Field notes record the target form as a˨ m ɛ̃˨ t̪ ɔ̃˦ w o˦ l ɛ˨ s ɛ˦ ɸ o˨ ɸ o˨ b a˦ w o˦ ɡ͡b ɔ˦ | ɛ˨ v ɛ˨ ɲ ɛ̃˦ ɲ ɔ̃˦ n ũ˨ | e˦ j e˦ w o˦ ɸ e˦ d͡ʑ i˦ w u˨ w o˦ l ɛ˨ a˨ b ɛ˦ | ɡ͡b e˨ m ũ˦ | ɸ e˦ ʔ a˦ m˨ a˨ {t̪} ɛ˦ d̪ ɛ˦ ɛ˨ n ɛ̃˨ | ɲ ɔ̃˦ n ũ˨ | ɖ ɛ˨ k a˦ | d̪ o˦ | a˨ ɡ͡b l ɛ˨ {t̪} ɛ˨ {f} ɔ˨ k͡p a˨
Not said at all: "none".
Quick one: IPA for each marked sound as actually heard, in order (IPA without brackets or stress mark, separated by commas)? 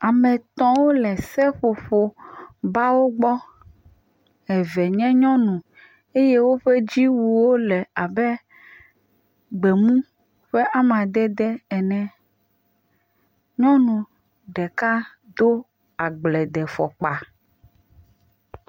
d̪, d̪, f